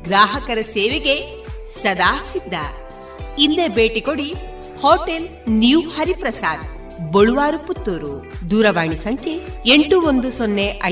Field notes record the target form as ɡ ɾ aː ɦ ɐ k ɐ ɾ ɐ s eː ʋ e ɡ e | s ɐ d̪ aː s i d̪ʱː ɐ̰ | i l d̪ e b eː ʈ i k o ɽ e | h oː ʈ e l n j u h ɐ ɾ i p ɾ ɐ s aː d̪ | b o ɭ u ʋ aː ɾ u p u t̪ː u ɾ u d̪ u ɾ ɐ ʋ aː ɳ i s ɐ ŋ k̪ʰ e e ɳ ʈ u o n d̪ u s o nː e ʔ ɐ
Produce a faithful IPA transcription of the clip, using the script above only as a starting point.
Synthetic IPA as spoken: ɡ ɾ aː ɦ ɐ k ɐ ɾ ɐ s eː ʋ e ɡ e | s ɐ d̪ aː s i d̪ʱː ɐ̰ | i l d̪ e b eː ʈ i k o ɽ i | h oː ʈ e l n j u h ɐ ɾ i p ɾ ɐ s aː d̪ | b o ɭ u ʋ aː ɾ u p u t̪ː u ɾ u d̪ uː ɾ ɐ ʋ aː ɳ i s ɐ ŋ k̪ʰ e e ɳ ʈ u o n d̪ u s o nː e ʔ ɐ